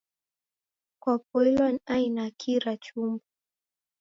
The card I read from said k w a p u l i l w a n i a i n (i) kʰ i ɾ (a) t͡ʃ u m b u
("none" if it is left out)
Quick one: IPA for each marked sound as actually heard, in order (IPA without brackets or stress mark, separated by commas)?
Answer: a, a